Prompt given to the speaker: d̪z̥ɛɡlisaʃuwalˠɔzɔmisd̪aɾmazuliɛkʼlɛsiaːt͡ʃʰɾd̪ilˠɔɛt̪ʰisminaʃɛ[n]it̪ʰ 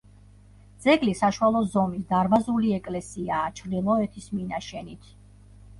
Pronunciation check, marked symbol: correct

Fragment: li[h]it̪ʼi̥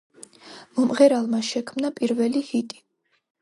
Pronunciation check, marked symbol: correct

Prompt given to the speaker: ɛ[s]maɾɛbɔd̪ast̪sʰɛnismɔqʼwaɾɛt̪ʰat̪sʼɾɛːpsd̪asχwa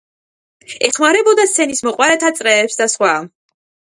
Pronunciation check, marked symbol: incorrect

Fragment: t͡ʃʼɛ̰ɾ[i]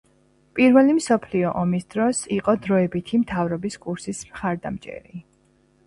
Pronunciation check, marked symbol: correct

